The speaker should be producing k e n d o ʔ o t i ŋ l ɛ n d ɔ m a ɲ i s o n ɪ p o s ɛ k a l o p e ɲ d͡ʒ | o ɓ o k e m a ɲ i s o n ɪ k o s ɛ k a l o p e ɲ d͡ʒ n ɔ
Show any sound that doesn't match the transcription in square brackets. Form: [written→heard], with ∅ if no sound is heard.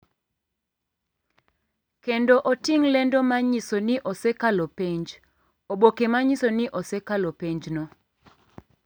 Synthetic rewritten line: k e n d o ʔ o t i ŋ l ɛ n d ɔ m a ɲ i s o n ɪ [p→ʔ] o s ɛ k a l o p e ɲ d͡ʒ | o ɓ o k e m a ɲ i s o n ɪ [k→ʔ] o s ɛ k a l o p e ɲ d͡ʒ n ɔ